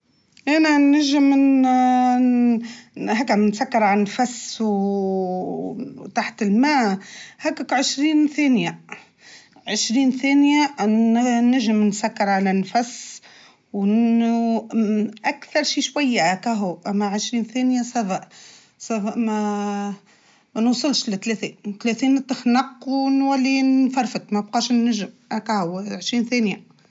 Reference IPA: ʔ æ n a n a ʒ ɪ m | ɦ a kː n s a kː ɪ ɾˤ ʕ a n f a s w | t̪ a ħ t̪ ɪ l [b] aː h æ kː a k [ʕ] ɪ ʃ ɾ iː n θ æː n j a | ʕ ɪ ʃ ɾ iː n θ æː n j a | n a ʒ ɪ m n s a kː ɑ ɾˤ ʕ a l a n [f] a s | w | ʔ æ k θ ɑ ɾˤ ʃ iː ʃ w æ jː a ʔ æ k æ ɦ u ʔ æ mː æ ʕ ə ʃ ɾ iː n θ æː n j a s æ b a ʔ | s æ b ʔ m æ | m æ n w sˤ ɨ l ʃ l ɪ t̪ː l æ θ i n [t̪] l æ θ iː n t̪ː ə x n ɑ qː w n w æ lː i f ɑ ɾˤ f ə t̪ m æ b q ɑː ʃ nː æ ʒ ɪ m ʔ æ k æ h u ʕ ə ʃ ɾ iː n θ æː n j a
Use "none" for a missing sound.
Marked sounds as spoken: m, ʕ, f, t̪

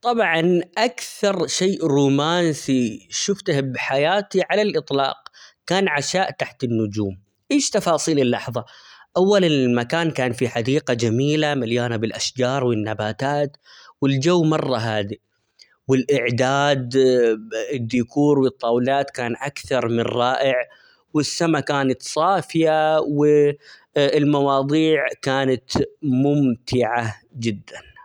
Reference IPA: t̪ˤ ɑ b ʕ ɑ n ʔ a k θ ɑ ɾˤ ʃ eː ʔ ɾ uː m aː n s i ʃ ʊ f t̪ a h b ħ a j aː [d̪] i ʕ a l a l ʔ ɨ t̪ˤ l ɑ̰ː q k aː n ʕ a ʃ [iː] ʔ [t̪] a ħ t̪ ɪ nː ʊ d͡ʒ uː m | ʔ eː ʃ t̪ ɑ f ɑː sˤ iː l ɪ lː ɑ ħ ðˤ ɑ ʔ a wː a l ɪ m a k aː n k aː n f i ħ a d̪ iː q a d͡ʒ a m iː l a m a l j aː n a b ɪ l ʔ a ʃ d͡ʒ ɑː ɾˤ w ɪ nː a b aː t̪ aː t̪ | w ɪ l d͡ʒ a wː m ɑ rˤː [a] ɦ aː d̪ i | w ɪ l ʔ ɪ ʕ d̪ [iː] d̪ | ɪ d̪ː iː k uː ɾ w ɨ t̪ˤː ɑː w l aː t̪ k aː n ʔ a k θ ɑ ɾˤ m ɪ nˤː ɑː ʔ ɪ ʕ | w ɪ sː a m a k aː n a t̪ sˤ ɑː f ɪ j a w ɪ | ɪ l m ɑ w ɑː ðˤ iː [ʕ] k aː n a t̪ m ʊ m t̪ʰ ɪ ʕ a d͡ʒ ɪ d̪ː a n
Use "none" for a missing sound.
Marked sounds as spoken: t̪, aː, t̪, ɑ, aː, ʕ

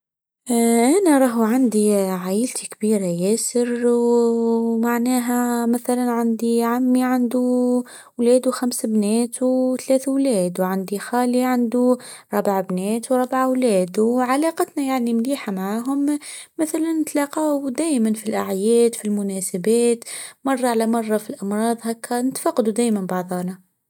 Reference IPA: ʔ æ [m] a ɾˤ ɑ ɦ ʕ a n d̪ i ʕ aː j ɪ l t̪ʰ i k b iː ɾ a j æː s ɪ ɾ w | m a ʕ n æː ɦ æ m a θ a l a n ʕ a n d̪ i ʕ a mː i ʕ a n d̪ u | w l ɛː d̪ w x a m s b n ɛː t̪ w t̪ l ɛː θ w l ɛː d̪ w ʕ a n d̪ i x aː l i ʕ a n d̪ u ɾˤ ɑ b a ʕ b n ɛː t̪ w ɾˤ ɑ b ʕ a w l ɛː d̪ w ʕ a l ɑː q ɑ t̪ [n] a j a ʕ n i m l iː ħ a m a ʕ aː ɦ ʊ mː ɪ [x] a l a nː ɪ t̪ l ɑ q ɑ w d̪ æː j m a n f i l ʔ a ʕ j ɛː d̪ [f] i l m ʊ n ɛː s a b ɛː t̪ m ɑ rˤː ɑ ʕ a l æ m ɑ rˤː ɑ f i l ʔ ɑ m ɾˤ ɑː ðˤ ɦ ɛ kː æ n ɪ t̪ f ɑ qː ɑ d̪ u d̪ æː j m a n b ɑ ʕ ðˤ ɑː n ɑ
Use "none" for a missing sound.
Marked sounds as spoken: n, n, θ, f

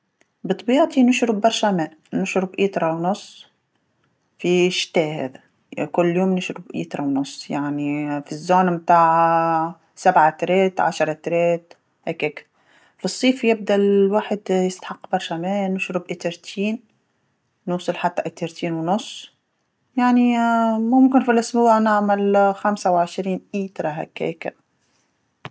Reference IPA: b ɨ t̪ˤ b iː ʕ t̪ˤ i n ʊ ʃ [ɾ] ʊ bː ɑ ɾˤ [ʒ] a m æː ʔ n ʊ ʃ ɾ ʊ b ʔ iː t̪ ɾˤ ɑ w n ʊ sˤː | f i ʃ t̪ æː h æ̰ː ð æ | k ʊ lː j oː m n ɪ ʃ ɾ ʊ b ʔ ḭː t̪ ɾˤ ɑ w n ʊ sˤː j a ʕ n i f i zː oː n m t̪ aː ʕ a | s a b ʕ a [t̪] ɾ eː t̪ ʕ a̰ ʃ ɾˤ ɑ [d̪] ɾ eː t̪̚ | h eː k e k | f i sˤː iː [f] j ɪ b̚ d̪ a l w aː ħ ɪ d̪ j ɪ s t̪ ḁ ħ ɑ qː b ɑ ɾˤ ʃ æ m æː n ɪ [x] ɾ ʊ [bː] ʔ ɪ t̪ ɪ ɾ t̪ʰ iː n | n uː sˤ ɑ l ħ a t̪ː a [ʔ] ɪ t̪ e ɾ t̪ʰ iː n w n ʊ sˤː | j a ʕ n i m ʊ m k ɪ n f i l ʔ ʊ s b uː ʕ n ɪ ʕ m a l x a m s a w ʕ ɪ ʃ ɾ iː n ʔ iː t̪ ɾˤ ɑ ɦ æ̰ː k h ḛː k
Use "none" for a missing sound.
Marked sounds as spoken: ɾ, ʃ, t̪, t̪, f, ʃ, b, ʔ

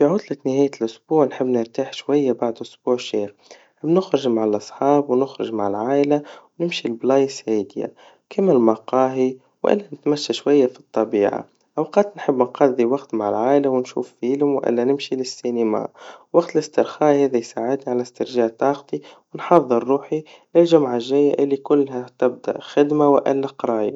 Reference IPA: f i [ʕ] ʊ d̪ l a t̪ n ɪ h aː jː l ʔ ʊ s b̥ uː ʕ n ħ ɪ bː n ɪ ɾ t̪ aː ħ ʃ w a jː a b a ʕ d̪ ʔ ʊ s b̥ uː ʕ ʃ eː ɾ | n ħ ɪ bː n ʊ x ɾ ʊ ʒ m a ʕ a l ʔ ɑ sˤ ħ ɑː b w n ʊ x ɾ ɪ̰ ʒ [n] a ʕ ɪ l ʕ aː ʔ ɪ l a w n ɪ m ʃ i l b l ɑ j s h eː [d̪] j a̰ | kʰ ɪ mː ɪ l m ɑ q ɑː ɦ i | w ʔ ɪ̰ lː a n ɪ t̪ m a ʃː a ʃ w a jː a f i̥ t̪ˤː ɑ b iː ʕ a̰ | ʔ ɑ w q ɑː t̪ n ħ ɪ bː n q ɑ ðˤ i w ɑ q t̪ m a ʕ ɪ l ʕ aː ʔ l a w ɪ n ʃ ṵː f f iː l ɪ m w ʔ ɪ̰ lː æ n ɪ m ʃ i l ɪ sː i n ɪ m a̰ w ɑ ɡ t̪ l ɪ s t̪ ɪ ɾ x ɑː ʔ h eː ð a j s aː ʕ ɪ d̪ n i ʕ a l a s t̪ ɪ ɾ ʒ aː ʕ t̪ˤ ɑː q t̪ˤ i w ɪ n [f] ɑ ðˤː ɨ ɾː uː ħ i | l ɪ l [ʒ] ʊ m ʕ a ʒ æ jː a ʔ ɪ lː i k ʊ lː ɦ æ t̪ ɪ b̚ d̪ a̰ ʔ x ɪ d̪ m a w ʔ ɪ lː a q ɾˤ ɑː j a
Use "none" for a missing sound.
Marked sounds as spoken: ʕ, m, d̪, ħ, ʒ

